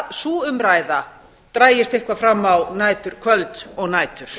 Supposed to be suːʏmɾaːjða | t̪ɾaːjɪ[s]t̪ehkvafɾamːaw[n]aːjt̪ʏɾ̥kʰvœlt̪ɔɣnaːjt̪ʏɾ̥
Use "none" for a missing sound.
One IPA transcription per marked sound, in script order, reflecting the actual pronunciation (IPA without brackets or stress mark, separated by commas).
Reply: s, n